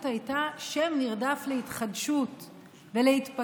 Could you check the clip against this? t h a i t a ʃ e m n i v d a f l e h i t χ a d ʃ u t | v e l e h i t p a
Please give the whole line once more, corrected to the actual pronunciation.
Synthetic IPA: t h a j t a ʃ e m n i ʁ d a f l e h i t χ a d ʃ u t | v e l e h i t p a